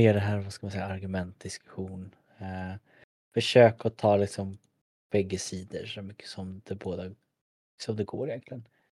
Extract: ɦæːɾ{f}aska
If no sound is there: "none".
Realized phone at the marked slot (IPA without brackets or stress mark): v